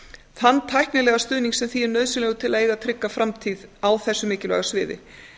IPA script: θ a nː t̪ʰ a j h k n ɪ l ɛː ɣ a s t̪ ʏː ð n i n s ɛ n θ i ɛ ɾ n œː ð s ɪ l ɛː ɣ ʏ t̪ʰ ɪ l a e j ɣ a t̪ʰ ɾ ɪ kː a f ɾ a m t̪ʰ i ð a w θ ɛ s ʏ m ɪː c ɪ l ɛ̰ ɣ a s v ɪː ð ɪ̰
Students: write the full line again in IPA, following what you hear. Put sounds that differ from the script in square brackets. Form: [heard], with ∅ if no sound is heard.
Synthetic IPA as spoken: θ a nː t̪ʰ a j h k n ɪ l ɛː ɣ a s t̪ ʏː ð n i [ŋ] s ɛ [m] θ i ɛ ɾ n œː ð s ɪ l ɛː ɣ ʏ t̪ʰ ɪ l a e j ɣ a t̪ʰ ɾ ɪ kː a f ɾ a m t̪ʰ i ð a w θ ɛ [sː] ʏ m ɪː c ɪ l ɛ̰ ɣ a s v ɪː ð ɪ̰